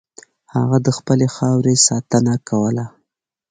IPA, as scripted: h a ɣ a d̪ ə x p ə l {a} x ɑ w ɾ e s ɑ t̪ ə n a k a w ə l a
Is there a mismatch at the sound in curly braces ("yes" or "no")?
yes